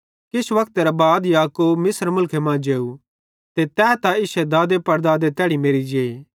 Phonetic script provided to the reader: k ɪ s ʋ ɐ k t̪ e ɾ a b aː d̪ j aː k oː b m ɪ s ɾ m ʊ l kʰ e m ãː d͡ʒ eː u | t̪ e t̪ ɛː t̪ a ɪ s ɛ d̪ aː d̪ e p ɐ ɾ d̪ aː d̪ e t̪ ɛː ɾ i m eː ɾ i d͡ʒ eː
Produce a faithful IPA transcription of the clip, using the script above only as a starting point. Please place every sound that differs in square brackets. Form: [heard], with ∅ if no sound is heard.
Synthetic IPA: k ɪ s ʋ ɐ k t̪ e ɾ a b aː d̪ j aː k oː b m ɪ s ɾ m ʊ l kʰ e m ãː d͡ʒ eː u | t̪ e t̪ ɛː t̪ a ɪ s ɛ d̪ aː d̪ e p ɐ ɾ d̪ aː d̪ e t̪ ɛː [ɽ] i m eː ɾ i d͡ʒ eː

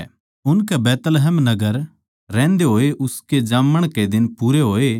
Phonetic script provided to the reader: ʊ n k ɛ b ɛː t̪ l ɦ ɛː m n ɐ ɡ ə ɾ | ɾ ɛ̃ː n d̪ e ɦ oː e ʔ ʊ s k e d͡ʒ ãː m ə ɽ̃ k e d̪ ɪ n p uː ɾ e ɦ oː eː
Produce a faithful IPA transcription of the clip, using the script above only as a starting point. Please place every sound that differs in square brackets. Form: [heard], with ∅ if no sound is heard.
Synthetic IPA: ʊ n k ɛ b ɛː t̪ l ɦ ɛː m n ɐ ɡ ə ɾ | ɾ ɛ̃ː n d̪ e ɦ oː e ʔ ʊ s k e d͡ʒ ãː m ə ɽ̃ k e d̪ ɪ n p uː ɾ e ɦ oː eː

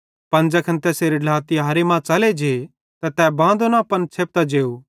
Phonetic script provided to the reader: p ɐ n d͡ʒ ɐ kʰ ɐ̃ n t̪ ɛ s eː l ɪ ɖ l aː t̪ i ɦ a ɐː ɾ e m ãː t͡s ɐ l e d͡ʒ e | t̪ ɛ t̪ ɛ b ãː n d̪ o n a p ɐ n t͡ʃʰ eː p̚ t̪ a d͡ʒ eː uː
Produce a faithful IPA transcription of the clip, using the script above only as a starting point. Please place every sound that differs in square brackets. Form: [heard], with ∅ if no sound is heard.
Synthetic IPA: p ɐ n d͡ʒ ɐ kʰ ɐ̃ n t̪ ɛ s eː [ɾ] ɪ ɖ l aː t̪ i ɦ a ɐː ɾ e m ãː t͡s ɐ l e d͡ʒ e | t̪ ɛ t̪ ɛ b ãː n d̪ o n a p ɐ n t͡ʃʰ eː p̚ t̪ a d͡ʒ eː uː

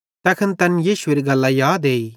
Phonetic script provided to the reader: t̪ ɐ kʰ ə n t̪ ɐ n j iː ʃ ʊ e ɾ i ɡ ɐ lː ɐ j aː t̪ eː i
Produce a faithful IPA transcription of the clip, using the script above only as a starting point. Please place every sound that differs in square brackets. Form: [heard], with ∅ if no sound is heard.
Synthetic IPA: t̪ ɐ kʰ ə n t̪ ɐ n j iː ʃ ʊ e ɾ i ɡ ɐ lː [a] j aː [d̪] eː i

